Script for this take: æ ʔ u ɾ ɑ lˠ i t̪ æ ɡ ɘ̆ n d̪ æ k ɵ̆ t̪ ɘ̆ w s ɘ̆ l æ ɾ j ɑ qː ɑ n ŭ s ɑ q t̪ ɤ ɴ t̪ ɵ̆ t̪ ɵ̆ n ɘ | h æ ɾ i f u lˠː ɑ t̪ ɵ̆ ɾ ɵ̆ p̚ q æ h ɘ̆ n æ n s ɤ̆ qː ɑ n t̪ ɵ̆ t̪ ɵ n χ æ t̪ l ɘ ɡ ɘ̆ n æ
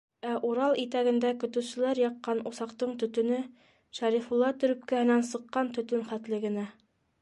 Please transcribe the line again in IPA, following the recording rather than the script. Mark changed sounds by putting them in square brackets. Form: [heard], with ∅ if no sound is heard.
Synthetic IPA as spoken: æ ʔ u ɾ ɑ lˠ i t̪ æ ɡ ɘ̆ n d̪ æ k ɵ̆ t̪ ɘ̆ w s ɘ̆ l æ ɾ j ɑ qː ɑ n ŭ s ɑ q t̪ ɤ ɴ t̪ ɵ̆ t̪ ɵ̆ n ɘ | [ʃ] æ ɾ i f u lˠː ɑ t̪ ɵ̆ ɾ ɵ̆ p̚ [k] æ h ɘ̆ n æ n s ɤ̆ qː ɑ n t̪ ɵ̆ t̪ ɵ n χ æ t̪ l ɘ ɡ ɘ̆ n æ